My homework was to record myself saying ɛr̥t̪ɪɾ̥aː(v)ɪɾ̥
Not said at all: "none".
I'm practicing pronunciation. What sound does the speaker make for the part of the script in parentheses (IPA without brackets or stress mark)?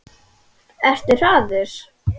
ð